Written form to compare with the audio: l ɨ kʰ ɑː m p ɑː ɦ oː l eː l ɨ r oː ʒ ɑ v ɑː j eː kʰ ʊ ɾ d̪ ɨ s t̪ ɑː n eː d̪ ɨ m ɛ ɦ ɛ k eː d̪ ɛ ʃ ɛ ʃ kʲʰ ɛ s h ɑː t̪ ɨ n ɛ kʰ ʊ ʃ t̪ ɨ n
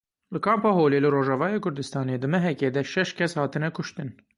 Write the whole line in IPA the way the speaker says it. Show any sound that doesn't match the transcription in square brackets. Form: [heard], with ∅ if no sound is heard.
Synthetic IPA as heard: l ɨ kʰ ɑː m p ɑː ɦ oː l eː l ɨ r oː ʒ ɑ v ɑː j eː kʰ ʊ ɾ d̪ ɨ s t̪ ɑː n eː d̪ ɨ m ɛ ɦ ɛ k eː d̪ ɛ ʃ ɛ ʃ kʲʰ ɛ s h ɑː t̪ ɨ n ɛ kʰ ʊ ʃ t̪ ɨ n